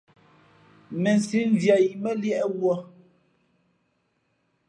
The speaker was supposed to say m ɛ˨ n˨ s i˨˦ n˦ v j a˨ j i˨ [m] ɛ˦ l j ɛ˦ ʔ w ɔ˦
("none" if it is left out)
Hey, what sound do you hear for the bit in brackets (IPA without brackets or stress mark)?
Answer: m